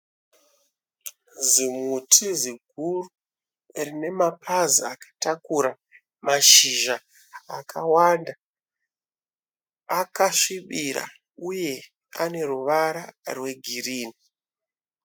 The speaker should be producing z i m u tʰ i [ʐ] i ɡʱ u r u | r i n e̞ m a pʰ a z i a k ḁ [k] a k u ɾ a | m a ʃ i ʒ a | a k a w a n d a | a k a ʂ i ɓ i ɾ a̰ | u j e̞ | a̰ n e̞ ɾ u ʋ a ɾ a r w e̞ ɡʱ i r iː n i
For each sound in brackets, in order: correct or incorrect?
incorrect: z, incorrect: t

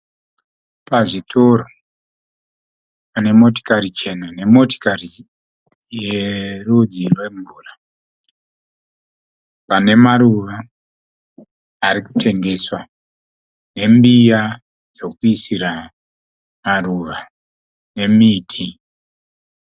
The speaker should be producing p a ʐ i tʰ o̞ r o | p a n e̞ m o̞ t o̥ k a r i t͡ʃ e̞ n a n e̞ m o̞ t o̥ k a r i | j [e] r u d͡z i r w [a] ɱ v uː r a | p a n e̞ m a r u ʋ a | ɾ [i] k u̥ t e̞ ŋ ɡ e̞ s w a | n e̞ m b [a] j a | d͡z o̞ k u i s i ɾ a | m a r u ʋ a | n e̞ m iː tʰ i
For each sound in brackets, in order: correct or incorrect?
correct, incorrect: e, correct, incorrect: i

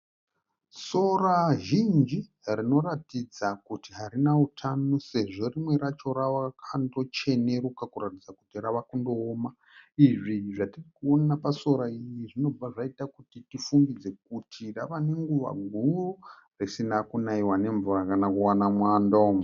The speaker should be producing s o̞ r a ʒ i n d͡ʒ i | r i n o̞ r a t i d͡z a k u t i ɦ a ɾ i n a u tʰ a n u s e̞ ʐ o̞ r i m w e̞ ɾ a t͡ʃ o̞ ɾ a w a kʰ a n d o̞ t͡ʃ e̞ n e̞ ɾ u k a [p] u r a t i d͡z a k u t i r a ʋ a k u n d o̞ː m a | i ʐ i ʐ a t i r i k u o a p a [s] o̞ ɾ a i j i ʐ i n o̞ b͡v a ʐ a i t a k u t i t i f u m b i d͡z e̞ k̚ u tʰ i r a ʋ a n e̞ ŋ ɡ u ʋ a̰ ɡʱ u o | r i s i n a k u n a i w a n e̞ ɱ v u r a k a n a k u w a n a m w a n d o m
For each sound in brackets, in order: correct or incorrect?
incorrect: k, correct

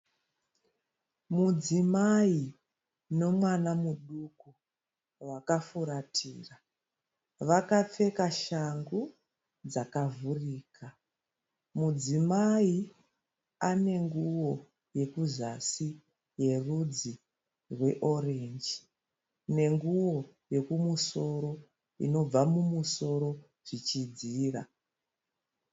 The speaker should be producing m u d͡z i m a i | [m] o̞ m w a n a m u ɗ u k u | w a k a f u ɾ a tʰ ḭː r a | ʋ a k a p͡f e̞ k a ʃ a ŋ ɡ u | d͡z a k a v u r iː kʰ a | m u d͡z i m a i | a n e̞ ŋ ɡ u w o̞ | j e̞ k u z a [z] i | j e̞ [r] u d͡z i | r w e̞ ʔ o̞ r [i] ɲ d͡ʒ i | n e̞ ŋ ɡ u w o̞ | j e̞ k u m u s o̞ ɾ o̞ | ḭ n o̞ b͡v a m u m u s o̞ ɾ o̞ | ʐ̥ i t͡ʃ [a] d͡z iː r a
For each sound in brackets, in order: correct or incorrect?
incorrect: n, incorrect: s, correct, incorrect: e, incorrect: i

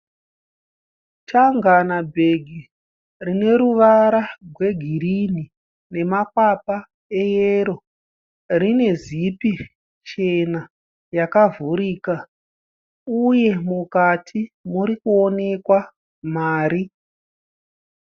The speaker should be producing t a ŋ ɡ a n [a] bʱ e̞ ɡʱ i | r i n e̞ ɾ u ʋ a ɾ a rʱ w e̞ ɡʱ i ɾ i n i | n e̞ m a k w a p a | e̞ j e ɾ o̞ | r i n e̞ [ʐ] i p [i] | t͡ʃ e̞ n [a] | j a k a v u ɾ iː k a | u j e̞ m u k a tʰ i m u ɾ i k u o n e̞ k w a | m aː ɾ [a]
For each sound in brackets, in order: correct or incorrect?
correct, incorrect: z, correct, correct, incorrect: i

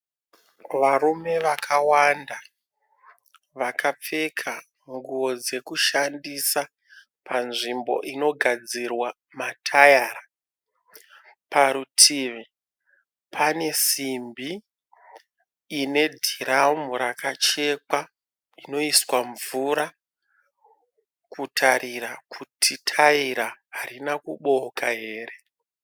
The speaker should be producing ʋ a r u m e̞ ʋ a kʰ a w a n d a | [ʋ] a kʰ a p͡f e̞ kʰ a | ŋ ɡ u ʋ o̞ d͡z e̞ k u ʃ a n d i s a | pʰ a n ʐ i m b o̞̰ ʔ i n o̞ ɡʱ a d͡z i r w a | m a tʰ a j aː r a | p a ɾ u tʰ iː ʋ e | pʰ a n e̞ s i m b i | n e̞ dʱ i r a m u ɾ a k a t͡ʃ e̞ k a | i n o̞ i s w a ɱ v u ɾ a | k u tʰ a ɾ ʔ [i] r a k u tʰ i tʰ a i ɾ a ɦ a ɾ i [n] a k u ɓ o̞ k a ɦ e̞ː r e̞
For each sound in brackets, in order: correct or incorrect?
correct, correct, correct

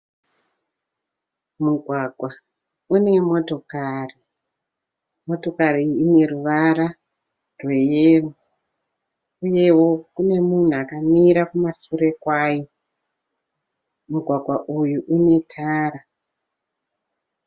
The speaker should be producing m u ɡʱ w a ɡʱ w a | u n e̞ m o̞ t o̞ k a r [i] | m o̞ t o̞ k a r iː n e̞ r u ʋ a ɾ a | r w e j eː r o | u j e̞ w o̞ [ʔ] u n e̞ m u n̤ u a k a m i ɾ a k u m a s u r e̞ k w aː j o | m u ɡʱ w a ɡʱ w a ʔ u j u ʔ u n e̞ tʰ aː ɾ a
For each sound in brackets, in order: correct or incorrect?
correct, incorrect: k

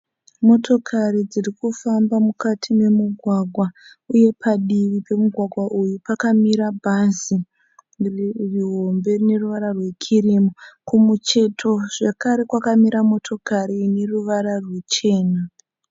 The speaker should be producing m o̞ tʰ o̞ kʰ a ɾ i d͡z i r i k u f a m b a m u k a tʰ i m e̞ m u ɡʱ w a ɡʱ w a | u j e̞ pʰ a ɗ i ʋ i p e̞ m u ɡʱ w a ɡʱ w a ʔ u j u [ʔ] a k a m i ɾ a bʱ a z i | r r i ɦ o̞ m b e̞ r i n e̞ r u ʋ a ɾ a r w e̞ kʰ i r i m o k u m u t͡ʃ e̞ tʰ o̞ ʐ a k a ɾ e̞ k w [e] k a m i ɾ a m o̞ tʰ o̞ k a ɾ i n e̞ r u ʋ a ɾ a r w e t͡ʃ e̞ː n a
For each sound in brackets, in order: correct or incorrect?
incorrect: p, incorrect: a

